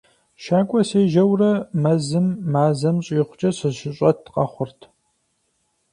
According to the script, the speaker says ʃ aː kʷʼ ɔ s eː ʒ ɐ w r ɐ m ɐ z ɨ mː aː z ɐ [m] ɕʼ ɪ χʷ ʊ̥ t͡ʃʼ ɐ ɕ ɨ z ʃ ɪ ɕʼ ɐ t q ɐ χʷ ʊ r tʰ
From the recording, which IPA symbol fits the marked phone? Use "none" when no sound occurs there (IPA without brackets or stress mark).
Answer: m